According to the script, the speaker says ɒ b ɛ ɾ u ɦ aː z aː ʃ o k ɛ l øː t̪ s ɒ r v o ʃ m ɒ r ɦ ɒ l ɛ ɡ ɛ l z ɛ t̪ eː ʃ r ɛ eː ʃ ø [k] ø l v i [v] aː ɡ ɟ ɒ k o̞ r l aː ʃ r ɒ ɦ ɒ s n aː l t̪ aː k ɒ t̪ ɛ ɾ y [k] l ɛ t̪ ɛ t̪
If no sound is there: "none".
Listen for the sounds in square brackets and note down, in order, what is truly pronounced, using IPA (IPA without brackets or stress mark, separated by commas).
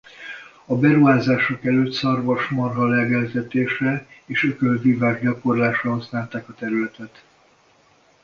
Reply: k, v, none